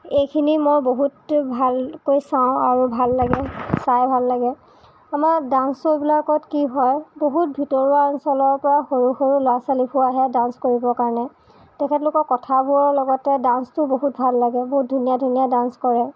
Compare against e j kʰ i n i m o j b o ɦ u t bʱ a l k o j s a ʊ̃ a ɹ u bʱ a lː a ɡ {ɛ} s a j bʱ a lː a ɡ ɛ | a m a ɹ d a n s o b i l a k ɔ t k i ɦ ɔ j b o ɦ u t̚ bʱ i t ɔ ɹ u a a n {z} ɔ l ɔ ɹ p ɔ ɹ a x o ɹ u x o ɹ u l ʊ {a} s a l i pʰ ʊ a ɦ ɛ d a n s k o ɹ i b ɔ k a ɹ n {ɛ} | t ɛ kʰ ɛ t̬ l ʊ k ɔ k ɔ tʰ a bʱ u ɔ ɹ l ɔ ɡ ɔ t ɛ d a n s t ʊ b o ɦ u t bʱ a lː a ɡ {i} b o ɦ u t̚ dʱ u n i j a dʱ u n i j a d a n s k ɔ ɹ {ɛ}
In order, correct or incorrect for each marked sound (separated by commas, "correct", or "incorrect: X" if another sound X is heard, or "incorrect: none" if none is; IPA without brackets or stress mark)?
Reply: correct, incorrect: s, correct, correct, incorrect: ɛ, correct